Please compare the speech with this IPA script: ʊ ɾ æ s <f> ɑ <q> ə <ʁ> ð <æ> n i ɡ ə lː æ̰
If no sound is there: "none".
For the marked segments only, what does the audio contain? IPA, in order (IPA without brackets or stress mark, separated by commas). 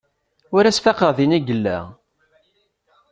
f, q, ʁ, i